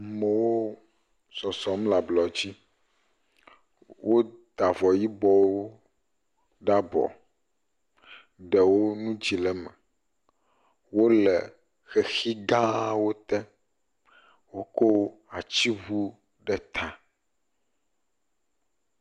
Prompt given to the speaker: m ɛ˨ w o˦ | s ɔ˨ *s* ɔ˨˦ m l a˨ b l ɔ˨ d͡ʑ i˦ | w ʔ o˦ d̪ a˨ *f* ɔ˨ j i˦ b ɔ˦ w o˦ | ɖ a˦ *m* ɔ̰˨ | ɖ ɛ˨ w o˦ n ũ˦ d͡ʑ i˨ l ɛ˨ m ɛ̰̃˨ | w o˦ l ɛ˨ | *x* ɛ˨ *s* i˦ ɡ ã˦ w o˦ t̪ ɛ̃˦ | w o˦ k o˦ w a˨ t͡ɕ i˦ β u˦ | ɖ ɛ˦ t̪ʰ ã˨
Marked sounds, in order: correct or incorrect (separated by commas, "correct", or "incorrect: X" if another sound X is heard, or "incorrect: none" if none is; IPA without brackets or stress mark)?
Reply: correct, incorrect: v, incorrect: b, correct, incorrect: x